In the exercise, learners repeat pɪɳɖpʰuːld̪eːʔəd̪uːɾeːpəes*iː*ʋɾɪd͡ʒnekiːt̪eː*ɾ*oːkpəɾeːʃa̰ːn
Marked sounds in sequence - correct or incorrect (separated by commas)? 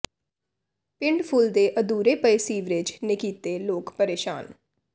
correct, incorrect